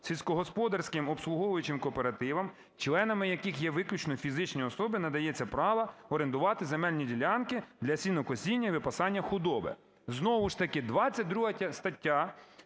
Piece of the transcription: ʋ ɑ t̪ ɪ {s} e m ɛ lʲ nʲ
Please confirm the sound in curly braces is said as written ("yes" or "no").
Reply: no